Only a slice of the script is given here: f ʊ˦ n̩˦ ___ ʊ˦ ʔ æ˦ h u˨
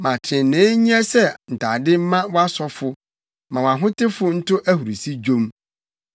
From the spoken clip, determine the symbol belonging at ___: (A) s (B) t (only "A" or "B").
B